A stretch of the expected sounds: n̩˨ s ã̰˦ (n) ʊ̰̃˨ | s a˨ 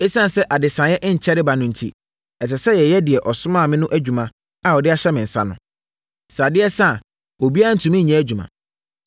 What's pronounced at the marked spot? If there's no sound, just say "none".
n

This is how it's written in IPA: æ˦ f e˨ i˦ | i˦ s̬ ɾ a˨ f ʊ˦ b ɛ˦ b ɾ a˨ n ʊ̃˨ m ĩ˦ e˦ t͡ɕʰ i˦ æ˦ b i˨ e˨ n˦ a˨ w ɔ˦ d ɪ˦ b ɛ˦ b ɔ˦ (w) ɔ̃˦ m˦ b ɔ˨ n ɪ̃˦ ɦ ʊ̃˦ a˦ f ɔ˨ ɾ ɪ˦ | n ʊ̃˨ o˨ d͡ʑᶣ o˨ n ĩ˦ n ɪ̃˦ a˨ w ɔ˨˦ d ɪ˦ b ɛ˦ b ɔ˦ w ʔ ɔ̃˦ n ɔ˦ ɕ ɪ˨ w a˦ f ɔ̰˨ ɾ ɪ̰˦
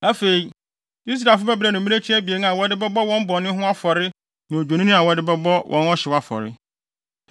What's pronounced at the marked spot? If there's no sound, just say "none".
w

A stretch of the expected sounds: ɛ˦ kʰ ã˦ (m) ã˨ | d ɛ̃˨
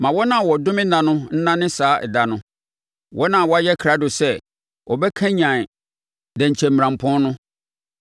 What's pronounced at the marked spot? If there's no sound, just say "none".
ɲ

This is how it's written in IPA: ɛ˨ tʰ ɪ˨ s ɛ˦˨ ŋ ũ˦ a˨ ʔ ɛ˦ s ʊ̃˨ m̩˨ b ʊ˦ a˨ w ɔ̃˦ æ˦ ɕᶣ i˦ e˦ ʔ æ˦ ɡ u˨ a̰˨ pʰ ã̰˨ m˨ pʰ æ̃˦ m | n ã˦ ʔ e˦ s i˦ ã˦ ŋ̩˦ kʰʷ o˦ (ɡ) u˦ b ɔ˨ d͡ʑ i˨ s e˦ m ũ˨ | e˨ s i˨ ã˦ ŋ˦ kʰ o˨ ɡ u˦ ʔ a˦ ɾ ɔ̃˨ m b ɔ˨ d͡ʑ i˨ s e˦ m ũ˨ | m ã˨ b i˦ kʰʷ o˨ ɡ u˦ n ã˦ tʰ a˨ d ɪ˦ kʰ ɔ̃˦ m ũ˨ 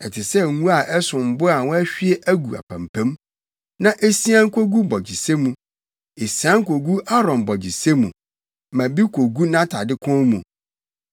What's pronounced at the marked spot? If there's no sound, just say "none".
ɡ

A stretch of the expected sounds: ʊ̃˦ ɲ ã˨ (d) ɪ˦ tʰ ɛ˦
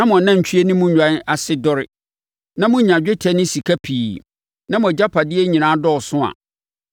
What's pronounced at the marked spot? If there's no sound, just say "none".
d͡ʑᶣ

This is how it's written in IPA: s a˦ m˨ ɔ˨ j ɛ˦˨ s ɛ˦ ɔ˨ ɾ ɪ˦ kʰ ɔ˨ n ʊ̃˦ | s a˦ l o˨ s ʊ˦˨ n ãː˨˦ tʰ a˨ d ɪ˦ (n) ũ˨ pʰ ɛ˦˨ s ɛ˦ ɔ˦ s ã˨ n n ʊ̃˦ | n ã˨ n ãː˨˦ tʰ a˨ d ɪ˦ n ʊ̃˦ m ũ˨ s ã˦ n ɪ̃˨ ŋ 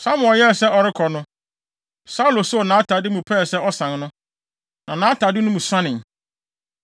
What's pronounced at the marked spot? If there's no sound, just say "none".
m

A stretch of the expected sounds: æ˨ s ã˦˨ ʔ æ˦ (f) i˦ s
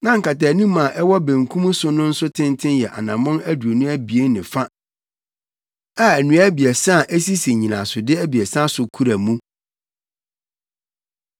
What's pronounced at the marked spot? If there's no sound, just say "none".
s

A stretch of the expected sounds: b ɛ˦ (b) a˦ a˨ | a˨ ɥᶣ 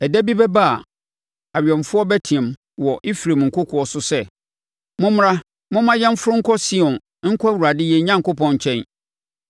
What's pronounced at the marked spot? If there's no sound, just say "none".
b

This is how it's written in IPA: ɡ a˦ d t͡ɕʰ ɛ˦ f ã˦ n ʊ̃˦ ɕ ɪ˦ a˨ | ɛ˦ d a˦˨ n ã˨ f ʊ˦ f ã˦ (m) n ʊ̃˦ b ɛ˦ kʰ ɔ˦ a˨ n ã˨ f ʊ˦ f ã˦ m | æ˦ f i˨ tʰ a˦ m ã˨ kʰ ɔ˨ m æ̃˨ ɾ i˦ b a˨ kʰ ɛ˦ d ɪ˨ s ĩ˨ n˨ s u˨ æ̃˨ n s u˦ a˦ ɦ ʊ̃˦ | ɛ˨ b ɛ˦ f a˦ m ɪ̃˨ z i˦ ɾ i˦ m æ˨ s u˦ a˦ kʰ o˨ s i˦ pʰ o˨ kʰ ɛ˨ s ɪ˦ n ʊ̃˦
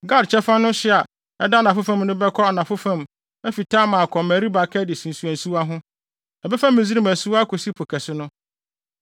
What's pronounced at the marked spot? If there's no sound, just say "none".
m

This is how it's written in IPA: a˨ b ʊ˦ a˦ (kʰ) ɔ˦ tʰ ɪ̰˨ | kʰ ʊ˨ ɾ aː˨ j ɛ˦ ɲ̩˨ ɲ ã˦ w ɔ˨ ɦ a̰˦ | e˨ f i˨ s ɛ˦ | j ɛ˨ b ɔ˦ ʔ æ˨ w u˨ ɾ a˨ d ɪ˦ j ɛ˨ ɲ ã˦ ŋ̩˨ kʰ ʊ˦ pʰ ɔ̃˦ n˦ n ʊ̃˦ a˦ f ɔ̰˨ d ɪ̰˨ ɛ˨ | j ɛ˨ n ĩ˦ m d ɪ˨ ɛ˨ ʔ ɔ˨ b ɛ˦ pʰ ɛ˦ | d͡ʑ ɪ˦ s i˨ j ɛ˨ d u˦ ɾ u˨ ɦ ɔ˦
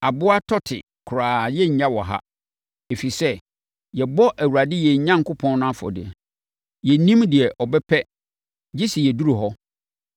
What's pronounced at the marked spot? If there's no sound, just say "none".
tʰ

